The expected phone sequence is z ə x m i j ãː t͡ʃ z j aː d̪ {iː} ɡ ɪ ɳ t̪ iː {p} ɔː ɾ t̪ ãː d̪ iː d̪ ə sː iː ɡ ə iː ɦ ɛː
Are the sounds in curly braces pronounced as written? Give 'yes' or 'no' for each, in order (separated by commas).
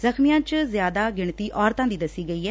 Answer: no, no